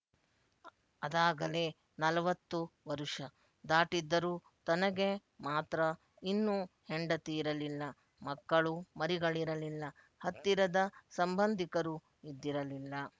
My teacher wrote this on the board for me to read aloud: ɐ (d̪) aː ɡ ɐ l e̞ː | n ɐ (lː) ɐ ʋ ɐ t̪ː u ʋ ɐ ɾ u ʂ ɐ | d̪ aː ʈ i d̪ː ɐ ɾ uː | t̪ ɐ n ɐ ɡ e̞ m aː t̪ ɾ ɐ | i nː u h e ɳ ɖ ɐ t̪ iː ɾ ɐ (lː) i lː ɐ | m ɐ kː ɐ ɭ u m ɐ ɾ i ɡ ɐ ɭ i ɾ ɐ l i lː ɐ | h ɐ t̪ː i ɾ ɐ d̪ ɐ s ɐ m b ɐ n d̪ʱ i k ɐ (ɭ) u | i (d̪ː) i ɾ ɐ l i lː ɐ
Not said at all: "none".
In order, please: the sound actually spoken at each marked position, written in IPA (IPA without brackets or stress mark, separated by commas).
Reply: d̪, l, l, ɾ, d̪ː